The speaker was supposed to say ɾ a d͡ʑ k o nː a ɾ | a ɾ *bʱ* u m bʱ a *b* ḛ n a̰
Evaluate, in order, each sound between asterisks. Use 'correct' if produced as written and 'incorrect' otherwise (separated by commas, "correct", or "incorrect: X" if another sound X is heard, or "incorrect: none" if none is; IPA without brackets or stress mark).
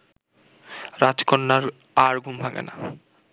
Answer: incorrect: ɡʱ, incorrect: ɡ